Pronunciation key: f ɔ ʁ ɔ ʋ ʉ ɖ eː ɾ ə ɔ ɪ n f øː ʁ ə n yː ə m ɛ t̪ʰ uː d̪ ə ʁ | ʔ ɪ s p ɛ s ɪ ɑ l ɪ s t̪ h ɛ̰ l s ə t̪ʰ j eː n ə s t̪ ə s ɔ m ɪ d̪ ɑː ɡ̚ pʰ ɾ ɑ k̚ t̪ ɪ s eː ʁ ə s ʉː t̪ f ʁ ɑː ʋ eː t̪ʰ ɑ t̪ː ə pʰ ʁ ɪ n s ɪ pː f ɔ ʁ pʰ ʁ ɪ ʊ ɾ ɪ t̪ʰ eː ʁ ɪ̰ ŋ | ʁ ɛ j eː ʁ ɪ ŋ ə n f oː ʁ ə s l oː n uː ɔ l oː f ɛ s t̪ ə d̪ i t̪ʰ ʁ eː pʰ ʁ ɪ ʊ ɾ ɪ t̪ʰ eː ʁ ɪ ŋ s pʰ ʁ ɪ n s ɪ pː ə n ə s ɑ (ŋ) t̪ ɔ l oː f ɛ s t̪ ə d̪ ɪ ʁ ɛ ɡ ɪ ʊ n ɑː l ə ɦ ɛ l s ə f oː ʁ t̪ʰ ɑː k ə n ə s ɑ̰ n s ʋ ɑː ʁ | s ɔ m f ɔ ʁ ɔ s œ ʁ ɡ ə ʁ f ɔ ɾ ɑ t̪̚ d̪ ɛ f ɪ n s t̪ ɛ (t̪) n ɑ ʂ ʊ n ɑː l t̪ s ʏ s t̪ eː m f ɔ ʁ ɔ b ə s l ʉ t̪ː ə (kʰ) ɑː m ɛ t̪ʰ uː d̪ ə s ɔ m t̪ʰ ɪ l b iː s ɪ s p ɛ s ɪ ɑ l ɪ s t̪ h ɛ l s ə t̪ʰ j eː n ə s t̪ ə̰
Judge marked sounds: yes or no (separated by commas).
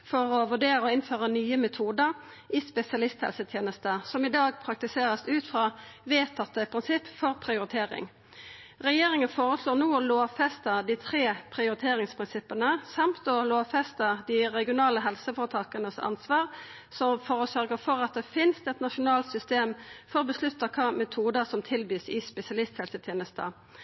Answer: no, yes, yes